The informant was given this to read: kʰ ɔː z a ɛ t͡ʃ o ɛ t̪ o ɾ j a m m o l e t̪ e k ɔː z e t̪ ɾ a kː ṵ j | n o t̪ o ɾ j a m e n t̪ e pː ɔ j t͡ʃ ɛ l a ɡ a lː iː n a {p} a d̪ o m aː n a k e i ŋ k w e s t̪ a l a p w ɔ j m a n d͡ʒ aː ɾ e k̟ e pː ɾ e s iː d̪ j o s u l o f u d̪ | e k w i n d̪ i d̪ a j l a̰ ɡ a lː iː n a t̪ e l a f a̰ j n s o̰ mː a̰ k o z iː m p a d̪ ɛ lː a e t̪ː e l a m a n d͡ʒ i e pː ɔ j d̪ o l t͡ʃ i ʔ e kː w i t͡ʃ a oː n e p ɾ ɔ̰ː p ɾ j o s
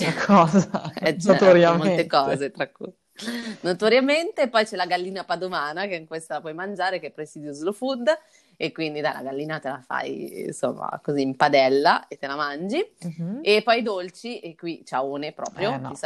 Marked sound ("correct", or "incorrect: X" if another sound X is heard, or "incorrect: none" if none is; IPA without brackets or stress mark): correct